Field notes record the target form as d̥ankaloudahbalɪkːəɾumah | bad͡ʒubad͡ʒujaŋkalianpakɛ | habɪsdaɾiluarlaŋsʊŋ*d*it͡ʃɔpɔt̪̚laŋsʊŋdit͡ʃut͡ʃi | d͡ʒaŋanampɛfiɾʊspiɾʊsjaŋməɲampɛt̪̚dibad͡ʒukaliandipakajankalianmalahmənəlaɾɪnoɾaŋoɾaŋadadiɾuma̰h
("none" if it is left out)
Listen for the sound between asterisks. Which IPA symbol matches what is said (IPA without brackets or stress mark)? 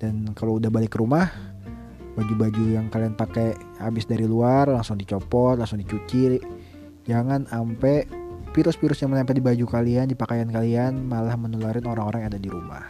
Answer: d